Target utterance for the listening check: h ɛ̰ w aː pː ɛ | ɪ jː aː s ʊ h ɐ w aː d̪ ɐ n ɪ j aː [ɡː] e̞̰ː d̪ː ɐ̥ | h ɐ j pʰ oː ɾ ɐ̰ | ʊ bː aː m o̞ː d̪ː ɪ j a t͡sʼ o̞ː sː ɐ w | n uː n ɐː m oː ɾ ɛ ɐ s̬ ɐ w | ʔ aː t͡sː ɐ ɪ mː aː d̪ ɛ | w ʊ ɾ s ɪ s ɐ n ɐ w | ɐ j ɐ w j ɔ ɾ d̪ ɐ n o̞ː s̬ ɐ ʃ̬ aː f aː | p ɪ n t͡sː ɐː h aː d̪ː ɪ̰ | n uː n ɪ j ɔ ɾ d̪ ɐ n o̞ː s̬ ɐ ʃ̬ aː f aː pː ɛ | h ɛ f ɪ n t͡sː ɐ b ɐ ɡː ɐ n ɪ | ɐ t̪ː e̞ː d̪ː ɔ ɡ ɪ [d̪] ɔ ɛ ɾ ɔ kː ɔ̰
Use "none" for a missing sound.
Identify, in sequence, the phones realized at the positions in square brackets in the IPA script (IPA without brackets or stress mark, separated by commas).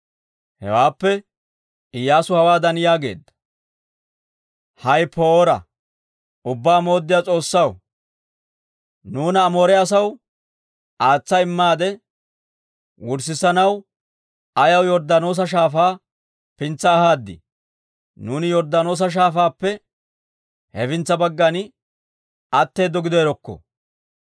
ɡ, d̪